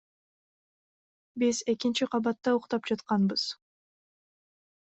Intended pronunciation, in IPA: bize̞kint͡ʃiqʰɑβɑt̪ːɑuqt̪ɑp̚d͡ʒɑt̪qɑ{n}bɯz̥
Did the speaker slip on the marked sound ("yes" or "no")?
no